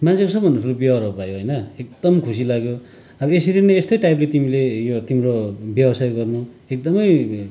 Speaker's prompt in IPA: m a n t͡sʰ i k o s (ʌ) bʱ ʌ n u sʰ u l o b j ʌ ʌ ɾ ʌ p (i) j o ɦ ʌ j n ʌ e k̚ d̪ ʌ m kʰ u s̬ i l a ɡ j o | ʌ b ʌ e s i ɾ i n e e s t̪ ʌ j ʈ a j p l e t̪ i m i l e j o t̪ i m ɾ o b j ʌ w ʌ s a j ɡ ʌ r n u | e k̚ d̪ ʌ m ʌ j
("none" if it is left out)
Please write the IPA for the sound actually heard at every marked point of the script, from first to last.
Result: ʌ, a

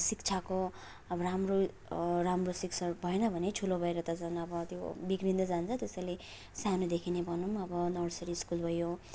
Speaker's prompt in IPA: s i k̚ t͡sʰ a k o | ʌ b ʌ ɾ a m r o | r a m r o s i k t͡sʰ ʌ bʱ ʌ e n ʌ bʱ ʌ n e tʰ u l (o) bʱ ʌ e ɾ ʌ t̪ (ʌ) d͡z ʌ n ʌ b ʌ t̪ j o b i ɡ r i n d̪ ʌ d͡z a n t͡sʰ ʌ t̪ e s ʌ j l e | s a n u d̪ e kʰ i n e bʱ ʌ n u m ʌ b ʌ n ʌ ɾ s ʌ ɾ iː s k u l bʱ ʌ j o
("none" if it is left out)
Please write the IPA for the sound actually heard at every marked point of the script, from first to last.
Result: o, ʌ

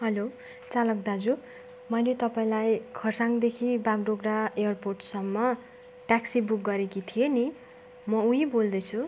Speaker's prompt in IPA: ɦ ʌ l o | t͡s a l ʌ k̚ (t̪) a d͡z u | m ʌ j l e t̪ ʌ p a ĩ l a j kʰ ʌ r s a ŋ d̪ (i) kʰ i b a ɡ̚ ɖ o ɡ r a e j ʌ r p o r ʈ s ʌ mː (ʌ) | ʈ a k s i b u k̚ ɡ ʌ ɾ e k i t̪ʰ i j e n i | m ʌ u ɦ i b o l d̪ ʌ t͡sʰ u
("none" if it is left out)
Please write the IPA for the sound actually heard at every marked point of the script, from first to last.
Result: d̪, e, ʌ

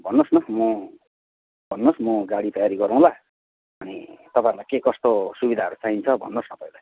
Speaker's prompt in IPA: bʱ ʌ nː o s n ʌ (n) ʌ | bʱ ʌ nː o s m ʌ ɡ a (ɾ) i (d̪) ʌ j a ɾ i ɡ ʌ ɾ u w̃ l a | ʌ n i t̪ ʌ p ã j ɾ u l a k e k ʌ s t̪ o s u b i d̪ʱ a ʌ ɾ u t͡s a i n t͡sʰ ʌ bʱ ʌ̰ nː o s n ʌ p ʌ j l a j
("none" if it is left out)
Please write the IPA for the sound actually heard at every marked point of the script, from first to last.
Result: m, ɽ, t̪

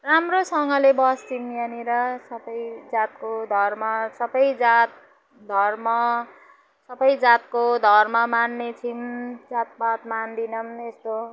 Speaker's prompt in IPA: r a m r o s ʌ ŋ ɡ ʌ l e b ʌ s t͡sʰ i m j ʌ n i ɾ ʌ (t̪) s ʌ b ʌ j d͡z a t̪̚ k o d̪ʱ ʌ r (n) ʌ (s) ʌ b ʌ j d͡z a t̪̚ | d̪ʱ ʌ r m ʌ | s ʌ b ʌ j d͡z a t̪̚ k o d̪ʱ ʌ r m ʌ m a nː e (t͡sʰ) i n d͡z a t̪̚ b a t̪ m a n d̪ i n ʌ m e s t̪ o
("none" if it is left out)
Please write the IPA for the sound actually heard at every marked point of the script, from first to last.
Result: none, m, s, t͡sʰ

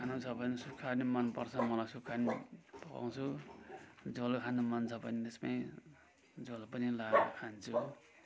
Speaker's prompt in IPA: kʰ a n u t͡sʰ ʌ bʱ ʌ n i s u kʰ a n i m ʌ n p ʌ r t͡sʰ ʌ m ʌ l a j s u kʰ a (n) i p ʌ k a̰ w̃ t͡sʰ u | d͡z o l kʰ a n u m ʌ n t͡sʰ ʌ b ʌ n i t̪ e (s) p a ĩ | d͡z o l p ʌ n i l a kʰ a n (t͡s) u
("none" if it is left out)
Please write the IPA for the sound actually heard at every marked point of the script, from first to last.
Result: n, s, t͡sʰ

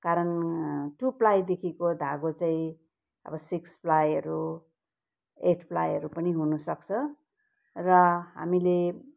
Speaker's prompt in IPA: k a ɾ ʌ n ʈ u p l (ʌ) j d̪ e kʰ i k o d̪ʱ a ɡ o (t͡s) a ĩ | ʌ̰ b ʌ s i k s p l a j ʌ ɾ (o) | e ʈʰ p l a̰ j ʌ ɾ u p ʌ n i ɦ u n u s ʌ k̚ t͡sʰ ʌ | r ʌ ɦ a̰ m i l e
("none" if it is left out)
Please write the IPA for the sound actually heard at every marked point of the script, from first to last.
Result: a, t͡s, u

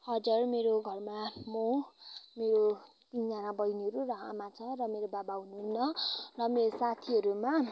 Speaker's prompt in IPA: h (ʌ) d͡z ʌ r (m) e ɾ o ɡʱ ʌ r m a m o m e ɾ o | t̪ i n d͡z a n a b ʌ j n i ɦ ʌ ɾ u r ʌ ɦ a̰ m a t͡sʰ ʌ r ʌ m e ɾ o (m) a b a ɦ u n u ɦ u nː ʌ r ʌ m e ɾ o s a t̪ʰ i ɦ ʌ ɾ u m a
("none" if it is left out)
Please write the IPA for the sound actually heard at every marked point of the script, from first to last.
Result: ʌ, m, b

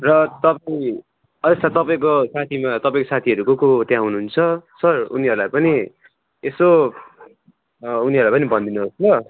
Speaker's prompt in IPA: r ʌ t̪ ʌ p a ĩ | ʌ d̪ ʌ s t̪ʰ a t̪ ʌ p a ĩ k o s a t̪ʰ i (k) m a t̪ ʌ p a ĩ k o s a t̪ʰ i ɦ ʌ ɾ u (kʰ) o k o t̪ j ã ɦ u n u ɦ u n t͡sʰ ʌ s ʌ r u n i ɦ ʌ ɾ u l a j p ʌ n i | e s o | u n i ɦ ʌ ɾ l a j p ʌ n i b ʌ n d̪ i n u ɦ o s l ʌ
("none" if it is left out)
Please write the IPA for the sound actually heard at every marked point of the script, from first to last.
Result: none, k

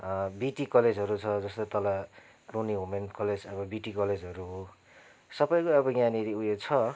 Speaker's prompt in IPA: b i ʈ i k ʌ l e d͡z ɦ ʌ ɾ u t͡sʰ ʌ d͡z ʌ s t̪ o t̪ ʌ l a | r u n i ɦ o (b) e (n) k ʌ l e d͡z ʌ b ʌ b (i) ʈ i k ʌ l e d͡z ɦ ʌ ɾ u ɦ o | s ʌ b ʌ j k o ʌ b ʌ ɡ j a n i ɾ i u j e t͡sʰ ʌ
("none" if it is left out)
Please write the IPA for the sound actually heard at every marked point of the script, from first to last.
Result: m, n, i

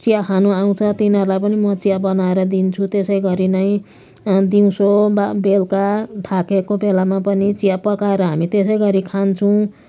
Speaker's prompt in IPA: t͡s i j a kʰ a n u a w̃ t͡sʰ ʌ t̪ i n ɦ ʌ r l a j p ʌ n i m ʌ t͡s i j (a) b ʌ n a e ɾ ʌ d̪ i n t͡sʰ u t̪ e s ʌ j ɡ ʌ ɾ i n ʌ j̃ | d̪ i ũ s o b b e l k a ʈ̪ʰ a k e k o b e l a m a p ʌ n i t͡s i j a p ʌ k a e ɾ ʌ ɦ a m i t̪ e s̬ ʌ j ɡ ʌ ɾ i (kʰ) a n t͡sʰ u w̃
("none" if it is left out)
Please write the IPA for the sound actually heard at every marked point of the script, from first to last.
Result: a, kʰ

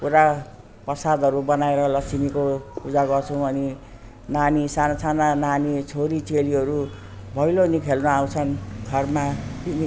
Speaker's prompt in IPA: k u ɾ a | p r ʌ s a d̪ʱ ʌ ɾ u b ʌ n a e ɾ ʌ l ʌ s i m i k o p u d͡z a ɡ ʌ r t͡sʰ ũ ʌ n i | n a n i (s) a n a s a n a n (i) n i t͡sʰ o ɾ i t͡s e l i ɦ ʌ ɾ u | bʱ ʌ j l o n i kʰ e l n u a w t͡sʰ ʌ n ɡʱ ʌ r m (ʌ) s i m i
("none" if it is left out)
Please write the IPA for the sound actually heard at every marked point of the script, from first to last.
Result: s, a, a

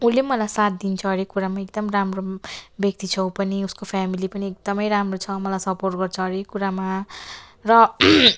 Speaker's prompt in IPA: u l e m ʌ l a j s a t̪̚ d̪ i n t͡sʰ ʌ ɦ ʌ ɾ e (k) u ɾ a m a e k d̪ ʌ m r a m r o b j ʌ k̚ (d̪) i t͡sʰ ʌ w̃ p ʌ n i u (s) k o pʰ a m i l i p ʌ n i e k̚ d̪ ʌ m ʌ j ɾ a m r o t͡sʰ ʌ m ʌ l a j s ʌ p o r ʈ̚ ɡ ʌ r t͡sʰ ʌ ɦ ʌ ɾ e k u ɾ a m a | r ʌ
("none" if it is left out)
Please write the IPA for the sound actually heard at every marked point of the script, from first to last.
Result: k, t̪, s

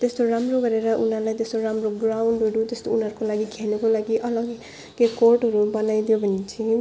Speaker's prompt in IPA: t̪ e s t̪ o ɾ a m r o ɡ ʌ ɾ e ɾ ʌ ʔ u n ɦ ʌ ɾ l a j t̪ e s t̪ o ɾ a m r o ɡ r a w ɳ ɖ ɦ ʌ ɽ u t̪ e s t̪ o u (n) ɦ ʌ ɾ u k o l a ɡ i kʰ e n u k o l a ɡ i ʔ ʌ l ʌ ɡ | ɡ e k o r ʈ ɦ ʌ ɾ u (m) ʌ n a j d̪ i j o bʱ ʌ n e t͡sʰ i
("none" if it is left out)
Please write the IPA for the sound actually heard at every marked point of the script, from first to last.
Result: n, b

